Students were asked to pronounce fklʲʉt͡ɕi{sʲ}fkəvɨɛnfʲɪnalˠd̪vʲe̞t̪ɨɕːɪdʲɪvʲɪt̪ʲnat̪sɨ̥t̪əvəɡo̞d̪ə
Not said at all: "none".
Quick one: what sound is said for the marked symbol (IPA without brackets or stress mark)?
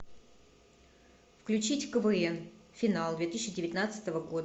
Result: tʲ